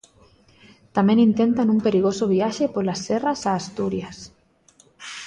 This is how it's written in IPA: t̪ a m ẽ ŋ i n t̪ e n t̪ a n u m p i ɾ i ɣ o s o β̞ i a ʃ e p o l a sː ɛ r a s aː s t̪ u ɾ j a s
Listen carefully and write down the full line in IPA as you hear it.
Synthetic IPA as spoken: t̪ a m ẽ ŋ i n t̪ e n t̪ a n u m p e ɾ i ɣ o s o β̞ i a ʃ e p o l a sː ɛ r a s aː s t̪ u ɾ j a s